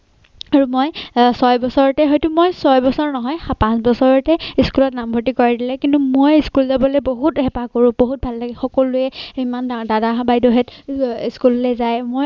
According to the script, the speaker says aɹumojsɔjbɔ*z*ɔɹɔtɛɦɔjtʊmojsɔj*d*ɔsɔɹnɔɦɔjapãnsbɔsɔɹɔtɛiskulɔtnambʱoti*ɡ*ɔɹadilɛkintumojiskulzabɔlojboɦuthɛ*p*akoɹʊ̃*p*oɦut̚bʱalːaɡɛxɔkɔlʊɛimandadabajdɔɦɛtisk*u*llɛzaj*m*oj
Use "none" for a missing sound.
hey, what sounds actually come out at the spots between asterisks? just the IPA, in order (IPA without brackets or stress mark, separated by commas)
s, b, k, p, b, u, m